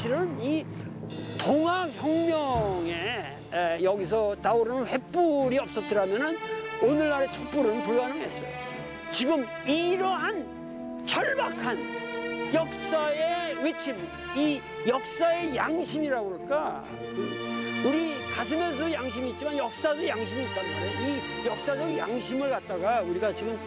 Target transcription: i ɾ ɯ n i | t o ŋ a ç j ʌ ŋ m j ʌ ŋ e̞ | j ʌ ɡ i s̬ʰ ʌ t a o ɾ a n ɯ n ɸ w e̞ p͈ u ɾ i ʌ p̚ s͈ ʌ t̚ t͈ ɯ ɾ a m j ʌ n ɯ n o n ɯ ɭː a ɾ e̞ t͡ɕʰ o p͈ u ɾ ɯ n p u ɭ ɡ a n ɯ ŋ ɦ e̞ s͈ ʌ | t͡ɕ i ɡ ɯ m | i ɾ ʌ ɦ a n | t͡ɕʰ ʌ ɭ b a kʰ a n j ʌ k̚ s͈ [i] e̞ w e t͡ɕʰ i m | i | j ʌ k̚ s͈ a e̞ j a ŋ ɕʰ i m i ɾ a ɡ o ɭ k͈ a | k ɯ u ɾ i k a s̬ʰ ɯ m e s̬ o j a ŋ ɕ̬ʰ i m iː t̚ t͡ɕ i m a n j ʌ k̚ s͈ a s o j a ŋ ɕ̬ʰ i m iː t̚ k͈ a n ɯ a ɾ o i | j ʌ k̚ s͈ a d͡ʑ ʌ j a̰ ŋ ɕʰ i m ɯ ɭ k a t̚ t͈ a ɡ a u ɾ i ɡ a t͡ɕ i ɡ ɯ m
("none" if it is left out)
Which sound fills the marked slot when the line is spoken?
a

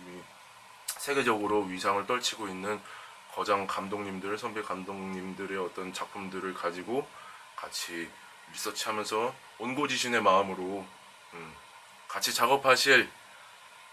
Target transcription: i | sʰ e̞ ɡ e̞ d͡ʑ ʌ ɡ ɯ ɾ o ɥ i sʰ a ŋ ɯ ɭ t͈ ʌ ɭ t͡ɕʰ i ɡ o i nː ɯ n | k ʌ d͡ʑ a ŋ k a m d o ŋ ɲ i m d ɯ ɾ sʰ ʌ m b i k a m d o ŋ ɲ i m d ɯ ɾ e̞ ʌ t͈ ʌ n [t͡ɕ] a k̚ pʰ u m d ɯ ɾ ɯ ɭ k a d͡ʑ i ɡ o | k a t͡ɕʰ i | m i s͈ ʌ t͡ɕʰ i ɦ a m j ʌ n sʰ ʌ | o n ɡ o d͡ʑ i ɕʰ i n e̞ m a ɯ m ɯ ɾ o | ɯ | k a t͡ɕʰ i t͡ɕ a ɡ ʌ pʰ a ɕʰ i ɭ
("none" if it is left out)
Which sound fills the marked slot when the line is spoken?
t͡ɕ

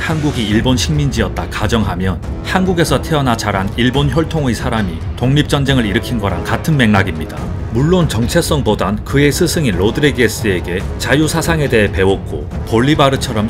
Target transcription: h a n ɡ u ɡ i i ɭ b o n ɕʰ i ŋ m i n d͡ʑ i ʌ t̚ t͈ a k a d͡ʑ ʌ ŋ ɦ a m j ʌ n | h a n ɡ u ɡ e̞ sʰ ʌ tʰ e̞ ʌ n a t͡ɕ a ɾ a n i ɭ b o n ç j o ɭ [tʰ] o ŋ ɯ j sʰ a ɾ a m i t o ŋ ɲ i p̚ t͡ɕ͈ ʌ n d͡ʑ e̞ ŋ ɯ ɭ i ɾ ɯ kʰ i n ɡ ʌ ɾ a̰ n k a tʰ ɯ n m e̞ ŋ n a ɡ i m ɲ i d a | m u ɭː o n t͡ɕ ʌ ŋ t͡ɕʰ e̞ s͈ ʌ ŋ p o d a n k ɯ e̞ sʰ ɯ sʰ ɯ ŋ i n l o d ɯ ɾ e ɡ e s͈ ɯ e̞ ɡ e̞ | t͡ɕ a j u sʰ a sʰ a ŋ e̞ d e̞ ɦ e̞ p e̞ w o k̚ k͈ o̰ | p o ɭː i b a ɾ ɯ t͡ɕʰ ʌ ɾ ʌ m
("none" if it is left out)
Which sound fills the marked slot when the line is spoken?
tʰ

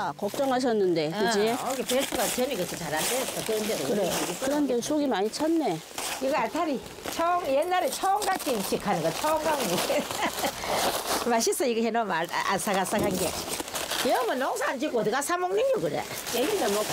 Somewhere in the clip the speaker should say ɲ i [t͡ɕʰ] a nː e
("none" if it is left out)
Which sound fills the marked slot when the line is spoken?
t͡ɕʰ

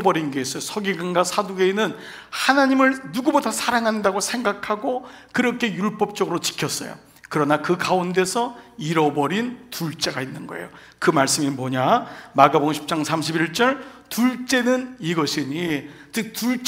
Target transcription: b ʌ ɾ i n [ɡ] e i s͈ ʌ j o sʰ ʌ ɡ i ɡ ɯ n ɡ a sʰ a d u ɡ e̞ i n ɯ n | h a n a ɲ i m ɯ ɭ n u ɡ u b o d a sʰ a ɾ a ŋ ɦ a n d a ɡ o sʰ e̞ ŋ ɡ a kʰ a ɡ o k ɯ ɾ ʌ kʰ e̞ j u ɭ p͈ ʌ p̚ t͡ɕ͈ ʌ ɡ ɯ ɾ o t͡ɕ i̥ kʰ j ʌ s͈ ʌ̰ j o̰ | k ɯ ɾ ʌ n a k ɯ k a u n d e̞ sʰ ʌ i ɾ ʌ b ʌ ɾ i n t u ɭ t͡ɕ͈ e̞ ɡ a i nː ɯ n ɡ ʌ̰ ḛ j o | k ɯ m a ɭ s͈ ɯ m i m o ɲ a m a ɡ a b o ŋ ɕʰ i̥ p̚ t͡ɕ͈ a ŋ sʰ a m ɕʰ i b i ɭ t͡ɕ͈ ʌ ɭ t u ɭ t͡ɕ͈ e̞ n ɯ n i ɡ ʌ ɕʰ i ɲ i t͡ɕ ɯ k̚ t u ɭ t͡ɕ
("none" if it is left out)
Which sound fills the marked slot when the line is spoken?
ɡ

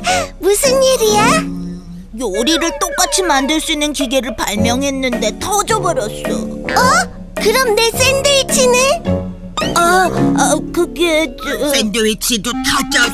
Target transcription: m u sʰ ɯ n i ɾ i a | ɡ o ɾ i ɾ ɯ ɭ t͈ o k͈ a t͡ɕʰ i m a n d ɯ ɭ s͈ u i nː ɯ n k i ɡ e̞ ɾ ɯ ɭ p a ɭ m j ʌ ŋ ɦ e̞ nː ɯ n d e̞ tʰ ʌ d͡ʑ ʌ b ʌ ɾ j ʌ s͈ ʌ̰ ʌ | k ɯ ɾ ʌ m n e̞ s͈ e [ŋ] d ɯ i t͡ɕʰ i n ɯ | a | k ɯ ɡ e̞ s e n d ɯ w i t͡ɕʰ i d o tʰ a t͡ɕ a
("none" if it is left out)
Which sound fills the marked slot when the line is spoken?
n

